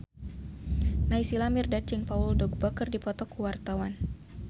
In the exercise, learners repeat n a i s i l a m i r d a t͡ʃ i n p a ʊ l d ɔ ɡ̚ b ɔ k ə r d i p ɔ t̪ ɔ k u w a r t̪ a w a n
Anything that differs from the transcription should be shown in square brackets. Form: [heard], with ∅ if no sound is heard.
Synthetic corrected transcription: n a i s i l a m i r d a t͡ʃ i [ŋ] p a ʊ l d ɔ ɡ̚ b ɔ k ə r d i p ɔ t̪ ɔ k u w a r t̪ a w a n